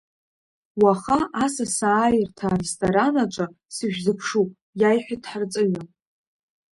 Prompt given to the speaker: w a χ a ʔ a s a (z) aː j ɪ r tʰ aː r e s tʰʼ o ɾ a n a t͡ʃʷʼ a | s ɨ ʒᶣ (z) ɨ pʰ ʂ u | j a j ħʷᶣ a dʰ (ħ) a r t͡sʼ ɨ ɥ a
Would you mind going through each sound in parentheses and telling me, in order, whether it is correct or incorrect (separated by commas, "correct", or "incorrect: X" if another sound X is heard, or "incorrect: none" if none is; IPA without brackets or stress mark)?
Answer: incorrect: s, correct, correct